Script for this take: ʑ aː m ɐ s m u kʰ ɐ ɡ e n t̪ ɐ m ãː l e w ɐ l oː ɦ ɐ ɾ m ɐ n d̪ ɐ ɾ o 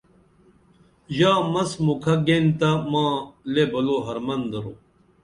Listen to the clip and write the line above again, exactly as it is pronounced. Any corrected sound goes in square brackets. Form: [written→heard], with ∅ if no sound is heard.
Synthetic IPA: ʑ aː m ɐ s m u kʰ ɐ ɡ e n t̪ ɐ m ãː l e [w→b] ɐ l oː ɦ ɐ ɾ m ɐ n d̪ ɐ ɾ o